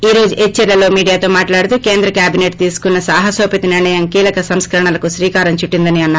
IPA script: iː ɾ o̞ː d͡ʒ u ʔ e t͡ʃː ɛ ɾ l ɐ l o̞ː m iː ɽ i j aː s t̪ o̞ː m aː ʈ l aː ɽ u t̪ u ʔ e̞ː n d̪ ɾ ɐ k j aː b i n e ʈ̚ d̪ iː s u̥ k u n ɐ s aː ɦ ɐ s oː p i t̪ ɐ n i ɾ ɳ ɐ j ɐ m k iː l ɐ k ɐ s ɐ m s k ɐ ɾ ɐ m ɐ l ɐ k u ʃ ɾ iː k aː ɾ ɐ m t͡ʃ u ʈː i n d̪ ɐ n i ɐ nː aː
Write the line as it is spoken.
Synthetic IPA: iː ɾ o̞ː d͡ʒ u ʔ e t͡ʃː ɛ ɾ l ɐ l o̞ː m iː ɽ i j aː t̪ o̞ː m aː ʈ l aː ɽ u t̪ u k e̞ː n d̪ ɾ ɐ k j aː b i n e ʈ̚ t̪ iː s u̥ k u nː ɐ s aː ɦ ɐ s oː p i t̪ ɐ n i ɾ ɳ ɐ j ɐ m k iː l ɐ k ɐ s ɐ m s k ɐ ɾ ɐ ɳ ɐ l ɐ k u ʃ ɾ iː k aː ɾ ɐ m t͡ʃ u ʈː i n d̪ ɐ n i ɐ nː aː